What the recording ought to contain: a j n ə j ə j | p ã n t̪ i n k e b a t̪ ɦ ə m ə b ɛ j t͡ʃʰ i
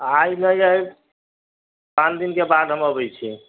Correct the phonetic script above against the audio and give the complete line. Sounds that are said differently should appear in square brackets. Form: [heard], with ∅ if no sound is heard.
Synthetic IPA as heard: a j n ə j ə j | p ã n [d̪] i n k e b a [d̪] ɦ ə m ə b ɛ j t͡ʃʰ i